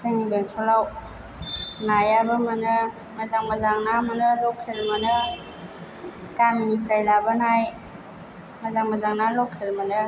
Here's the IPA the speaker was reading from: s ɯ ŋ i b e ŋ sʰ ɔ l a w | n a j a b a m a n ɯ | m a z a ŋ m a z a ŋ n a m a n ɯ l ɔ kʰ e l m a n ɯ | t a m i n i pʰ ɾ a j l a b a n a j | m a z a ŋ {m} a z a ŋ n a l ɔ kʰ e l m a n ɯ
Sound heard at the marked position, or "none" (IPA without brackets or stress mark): m